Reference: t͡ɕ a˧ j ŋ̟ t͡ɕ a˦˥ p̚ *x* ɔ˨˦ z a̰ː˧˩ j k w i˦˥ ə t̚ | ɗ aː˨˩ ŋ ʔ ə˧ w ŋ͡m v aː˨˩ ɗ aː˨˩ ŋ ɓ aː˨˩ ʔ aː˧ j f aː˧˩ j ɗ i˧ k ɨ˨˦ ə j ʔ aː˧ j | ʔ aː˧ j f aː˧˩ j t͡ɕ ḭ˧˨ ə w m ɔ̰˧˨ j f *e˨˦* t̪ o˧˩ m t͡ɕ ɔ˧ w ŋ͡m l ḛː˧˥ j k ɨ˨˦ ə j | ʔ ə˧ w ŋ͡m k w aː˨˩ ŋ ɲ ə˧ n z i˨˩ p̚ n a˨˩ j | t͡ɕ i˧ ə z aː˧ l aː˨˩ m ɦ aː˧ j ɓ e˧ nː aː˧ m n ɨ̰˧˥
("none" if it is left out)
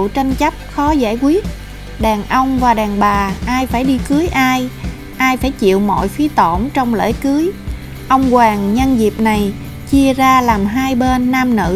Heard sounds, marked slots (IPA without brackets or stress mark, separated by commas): x, i˨˦